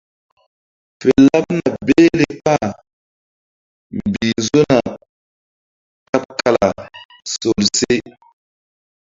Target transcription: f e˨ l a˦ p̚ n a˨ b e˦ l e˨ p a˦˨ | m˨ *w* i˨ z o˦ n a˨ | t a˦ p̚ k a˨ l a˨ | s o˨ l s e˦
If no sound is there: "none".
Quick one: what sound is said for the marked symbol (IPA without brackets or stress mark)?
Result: b